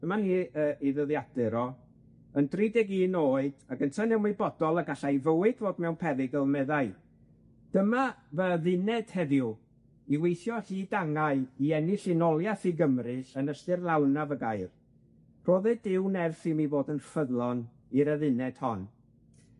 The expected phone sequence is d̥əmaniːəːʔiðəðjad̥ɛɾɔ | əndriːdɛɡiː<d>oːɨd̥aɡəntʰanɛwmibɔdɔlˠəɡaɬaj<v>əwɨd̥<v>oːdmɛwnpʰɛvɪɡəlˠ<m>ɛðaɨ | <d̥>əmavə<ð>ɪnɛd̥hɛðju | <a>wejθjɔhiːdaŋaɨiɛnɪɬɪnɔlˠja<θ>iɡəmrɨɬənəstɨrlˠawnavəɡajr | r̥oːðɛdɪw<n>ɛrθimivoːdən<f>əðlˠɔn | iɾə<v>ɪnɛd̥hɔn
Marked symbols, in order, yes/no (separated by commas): no, yes, yes, yes, yes, yes, no, yes, yes, yes, no